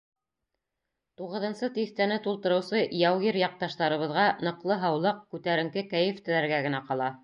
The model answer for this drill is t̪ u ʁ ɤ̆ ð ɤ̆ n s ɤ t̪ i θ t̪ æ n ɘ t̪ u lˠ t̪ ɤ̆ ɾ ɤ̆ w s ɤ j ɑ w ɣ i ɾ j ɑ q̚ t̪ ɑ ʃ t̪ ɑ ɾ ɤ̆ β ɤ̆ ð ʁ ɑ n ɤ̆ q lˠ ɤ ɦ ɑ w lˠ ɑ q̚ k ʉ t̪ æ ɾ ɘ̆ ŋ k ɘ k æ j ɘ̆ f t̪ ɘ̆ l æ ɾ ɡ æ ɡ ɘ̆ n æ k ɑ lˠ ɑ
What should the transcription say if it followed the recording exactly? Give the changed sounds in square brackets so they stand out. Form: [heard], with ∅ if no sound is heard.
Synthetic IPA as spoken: t̪ u ʁ ɤ̆ ð ɤ̆ n s ɤ t̪ i θ t̪ æ n ɘ t̪ u lˠ t̪ ɤ̆ ɾ ɤ̆ w s ɤ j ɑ w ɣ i ɾ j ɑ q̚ t̪ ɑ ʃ t̪ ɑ ɾ ɤ̆ β ɤ̆ ð ʁ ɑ n ɤ̆ q lˠ ɤ ɦ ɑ w lˠ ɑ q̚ k ʉ t̪ æ ɾ ɘ̆ ŋ k ɘ k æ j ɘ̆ f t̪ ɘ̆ l æ ɾ ɡ æ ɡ ɘ̆ n æ [q] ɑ lˠ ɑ